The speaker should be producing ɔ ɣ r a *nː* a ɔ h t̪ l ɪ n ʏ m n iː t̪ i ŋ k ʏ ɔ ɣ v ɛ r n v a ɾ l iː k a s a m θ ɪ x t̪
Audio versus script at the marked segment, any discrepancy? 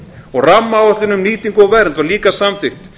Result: yes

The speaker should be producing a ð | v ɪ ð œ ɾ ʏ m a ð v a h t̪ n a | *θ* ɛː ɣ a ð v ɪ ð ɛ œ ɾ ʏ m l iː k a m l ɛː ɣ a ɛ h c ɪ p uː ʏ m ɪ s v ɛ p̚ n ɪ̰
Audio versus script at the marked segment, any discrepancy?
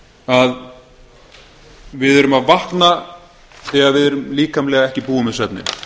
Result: no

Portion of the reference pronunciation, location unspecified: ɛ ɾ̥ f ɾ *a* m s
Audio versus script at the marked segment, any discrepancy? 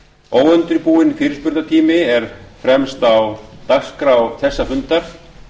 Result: yes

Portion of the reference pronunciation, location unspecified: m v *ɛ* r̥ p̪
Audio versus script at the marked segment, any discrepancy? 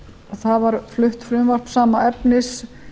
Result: yes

